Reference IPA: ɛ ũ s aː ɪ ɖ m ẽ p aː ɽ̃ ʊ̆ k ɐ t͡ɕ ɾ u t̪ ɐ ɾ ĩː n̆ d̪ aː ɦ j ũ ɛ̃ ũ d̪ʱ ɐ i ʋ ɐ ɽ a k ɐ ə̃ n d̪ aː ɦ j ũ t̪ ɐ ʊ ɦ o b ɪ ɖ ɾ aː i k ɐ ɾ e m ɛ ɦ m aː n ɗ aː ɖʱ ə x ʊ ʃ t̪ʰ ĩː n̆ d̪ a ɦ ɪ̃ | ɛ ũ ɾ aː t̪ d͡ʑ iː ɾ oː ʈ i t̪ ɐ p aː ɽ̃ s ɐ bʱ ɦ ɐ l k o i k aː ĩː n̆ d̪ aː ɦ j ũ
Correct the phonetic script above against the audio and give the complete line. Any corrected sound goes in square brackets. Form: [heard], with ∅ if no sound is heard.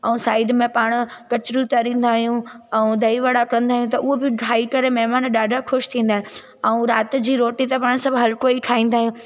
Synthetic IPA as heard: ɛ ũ s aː ɪ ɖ m ẽ p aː ɽ̃ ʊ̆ k ɐ t͡ɕ ɾ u t̪ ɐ ɾ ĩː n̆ d̪ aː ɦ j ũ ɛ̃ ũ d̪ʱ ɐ i ʋ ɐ ɽ a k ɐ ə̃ n d̪ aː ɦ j ũ t̪ ɐ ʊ ɦ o b ɪ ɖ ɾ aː i k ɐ ɾ e m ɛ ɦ m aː n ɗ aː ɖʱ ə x ʊ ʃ t̪ʰ ĩː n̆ d̪ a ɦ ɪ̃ | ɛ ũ ɾ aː t̪ d͡ʑ iː ɾ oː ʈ i t̪ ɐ p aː ɽ̃ s ɐ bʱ ɦ ɐ l k o i [kʰ] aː ĩː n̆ d̪ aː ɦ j ũ